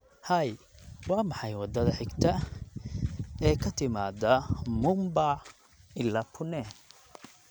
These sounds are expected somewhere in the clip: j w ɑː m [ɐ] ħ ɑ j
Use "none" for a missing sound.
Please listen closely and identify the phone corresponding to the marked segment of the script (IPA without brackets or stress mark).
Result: ɑ